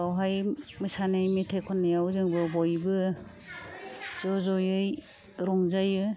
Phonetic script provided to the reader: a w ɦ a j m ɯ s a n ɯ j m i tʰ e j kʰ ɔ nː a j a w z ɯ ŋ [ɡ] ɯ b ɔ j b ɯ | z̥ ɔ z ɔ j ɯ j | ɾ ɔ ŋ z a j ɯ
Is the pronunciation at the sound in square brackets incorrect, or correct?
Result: incorrect